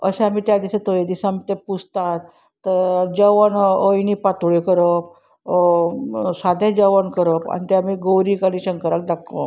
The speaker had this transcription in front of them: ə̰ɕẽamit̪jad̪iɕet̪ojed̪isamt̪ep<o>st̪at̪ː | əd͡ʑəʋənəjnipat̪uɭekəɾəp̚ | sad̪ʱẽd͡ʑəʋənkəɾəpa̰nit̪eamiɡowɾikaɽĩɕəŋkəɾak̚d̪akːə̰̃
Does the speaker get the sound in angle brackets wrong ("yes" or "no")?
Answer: yes